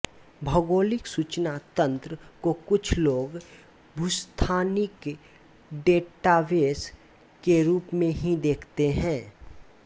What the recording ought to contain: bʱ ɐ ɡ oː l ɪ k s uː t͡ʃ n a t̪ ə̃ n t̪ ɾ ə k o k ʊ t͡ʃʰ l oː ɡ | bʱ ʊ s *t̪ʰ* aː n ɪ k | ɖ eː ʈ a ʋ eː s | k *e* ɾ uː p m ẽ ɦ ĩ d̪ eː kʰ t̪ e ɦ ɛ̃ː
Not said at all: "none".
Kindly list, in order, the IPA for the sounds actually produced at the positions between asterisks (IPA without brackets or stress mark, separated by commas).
t̪ʰ, e